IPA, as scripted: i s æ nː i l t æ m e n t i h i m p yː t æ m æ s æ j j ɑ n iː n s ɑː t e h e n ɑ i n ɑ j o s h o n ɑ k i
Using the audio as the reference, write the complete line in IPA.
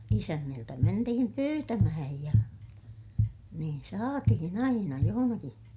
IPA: i s æ nː i l t æ m e n t i h i m p yː t æ m æ h æ j j ɑ n iː n s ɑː t i h i n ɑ i n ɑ j o h o n ɑ k i